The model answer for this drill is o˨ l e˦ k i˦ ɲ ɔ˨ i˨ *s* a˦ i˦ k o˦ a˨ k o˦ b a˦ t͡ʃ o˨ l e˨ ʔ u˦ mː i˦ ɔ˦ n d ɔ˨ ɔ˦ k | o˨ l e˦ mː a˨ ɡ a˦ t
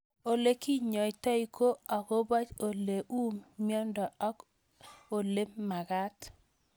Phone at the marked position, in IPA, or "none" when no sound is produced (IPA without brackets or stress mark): t